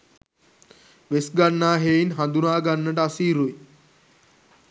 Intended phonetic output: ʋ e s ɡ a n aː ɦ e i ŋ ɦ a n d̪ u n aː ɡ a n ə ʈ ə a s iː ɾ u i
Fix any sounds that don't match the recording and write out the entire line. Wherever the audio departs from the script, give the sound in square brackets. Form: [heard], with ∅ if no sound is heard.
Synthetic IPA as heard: ʋ e s ɡ a [nː] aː ɦ e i [n] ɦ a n d̪ u n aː ɡ a [nː] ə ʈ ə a s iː ɾ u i